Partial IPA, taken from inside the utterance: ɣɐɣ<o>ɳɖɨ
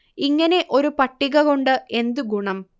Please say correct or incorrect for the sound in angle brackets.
correct